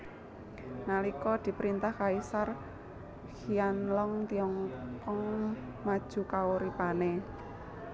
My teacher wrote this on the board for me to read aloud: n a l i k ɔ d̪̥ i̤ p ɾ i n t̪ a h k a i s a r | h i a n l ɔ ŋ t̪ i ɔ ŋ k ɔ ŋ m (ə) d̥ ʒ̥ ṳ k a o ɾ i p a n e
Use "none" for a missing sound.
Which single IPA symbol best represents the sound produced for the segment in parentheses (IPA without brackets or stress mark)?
a